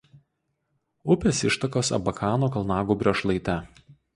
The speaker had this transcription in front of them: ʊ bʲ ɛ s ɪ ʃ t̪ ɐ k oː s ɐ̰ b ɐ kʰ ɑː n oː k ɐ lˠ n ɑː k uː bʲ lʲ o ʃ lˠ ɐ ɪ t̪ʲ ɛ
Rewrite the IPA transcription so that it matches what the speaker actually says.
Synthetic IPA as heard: ʊ pʲ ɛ s ɪ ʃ t̪ ɐ k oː s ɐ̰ b ɐ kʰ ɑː n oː k ɐ lˠ n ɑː ɡ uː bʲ ɾʲ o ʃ lˠ ɐ ɪ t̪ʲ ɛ